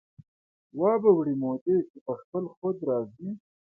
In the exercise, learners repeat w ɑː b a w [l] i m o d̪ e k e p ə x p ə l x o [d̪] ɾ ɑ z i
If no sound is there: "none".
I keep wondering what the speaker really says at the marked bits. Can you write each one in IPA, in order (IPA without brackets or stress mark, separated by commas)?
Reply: ɽ, d̪